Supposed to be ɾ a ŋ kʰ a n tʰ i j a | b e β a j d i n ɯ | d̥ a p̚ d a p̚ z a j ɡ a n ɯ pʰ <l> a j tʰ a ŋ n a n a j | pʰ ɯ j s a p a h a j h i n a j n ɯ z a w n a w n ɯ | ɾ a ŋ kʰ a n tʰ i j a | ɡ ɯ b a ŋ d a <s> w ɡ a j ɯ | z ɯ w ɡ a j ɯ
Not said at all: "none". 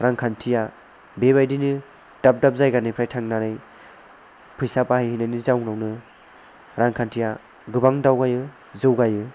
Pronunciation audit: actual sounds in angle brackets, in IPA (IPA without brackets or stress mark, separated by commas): ɾ, none